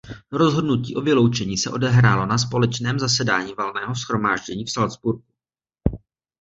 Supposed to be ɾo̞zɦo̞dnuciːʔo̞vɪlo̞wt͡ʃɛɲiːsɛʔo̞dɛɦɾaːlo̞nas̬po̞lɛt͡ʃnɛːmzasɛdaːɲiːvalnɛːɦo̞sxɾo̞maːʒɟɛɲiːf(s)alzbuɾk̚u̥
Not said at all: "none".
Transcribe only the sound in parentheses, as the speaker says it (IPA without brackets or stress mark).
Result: s